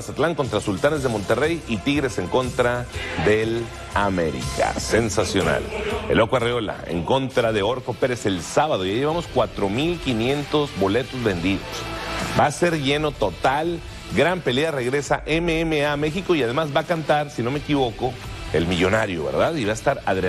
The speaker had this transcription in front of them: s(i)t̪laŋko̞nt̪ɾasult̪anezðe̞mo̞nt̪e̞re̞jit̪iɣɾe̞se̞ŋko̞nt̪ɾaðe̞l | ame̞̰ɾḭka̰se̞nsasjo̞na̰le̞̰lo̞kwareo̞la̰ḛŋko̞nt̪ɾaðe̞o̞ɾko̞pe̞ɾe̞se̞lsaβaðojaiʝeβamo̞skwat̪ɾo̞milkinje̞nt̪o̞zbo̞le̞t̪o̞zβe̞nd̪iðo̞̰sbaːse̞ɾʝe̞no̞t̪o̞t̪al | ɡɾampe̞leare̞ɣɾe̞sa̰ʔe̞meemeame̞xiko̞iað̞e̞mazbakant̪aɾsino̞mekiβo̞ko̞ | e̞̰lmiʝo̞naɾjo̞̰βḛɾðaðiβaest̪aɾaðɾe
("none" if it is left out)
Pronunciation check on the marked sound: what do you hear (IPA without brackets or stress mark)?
a